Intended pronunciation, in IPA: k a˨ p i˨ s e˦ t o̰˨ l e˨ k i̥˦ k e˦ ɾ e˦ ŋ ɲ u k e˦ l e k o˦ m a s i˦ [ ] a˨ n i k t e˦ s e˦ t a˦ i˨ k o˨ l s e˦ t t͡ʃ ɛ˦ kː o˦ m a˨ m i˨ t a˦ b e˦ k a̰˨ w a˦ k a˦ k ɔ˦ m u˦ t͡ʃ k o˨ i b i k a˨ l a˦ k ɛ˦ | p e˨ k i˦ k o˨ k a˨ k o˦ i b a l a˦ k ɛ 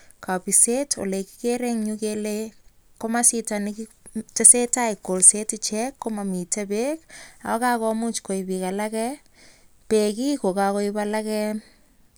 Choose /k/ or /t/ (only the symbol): t